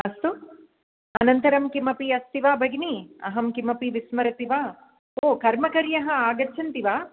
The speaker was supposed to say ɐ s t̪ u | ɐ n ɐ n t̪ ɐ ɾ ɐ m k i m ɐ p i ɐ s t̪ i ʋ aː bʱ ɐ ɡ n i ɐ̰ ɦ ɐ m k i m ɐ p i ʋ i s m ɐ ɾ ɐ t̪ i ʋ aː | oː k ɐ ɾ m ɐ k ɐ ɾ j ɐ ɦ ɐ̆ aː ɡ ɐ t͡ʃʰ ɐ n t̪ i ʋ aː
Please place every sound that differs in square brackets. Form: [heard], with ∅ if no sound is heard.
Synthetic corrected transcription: ɐ s t̪ u | ɐ n ɐ n t̪ ɐ ɾ ɐ m k i m ɐ p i ɐ s t̪ i ʋ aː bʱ ɐ ɡ n i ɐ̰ ɦ ɐ m k i m ɐ p i ʋ i s m ɐ ɾ ɐ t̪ i ʋ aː | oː k ɐ ɾ m ɐ k ɐ ɾ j ɐ ɦ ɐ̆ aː ɡ ɐ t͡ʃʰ ɐ n t̪ i ʋ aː